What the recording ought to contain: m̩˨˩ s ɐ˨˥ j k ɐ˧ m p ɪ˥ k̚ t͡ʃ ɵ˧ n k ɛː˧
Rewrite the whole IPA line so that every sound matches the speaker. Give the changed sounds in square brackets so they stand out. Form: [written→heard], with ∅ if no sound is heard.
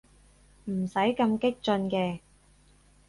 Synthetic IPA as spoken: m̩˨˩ s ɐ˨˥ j k ɐ˧ m [p→k] ɪ˥ k̚ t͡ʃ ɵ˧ n k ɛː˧